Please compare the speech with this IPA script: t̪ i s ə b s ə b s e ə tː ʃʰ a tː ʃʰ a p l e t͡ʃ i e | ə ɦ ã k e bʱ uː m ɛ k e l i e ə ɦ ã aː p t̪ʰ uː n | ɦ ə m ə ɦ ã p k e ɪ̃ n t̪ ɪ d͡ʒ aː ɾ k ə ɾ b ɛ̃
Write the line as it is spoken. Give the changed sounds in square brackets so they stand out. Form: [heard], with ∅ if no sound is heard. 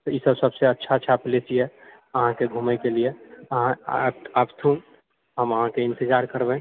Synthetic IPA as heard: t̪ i s ə b s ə b s e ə tː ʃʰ a tː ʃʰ a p l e t͡ʃ i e | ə ɦ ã k e [ɡʱ] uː m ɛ k e l i e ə ɦ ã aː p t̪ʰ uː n | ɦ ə m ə ɦ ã [∅] k e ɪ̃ n t̪ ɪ d͡ʒ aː ɾ k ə ɾ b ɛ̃